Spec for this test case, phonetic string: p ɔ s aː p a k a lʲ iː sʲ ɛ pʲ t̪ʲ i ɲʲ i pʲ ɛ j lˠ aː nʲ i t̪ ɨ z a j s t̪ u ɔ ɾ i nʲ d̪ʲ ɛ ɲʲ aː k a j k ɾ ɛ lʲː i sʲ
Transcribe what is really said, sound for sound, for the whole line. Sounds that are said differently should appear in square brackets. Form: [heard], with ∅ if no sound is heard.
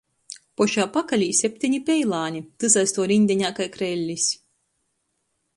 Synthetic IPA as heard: p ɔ [ʃ] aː p a k a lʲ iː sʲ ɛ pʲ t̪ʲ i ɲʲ i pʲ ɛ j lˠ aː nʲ i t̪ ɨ z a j s t̪ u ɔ ɾ i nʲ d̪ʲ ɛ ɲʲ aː k a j k ɾ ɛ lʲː i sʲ